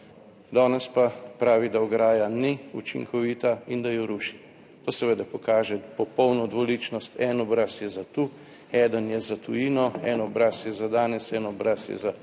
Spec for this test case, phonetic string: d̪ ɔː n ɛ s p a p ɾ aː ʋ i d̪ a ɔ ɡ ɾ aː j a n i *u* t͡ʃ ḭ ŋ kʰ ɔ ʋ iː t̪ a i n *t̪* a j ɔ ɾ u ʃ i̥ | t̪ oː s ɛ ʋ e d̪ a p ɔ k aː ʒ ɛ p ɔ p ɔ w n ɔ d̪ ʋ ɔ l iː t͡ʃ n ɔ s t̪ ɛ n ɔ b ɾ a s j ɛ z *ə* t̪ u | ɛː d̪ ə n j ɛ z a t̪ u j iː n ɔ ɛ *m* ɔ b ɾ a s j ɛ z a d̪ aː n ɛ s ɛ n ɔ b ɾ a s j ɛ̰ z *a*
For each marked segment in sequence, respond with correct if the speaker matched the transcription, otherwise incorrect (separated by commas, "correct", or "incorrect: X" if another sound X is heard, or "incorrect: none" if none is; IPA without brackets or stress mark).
correct, incorrect: d̪, incorrect: a, incorrect: n, correct